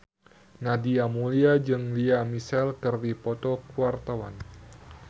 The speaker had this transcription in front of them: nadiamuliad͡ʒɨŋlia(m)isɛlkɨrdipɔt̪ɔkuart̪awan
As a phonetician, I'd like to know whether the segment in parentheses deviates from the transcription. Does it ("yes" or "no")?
no